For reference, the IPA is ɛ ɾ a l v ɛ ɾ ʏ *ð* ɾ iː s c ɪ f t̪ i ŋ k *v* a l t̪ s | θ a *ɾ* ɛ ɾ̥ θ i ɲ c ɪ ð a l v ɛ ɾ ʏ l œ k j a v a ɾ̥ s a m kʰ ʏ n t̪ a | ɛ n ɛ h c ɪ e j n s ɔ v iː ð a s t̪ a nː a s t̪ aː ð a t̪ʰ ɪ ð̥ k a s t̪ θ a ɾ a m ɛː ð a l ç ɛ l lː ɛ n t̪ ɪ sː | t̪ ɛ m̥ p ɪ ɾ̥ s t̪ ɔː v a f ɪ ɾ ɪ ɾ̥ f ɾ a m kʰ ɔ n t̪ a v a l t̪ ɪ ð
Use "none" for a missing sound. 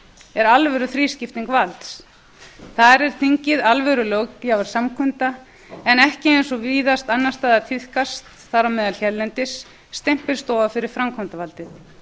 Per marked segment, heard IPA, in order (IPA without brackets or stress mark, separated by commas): θ, v, ɾ